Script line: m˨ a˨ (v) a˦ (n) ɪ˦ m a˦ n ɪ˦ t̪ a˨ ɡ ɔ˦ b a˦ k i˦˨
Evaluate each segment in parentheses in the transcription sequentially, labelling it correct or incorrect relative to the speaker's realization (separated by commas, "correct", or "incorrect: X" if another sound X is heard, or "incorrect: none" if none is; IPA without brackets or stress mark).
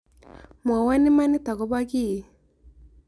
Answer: incorrect: w, correct